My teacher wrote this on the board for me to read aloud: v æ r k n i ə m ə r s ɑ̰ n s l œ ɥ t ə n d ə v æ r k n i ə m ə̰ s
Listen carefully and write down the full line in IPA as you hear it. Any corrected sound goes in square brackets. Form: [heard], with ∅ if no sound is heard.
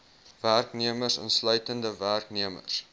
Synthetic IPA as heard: v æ r k n i ə m ə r s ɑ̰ n s l œ ɥ t ə n d ə v æ r k n i ə m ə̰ s